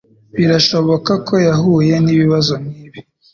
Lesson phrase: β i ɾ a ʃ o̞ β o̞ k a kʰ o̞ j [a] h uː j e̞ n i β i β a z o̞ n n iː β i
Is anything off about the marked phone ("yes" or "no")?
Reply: no